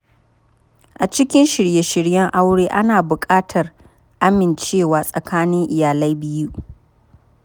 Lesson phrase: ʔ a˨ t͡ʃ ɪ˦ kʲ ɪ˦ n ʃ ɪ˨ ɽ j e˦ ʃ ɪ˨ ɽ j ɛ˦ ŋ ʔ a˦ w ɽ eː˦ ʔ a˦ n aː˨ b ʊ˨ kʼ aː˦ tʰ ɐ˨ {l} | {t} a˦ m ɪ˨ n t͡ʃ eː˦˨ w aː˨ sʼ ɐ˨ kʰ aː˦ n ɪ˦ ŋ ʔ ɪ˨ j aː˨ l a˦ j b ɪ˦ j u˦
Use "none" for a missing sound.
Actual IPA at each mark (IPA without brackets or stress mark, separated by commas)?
r, ʔ